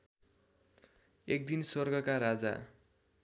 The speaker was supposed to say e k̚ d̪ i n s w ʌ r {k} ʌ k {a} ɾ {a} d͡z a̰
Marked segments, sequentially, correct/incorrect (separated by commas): incorrect, correct, correct